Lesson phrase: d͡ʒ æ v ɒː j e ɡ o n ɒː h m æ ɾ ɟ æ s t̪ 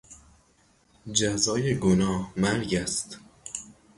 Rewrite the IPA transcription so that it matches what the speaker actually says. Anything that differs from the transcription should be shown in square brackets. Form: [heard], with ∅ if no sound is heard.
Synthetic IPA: d͡ʒ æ [z] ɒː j e ɡ o n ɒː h m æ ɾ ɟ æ s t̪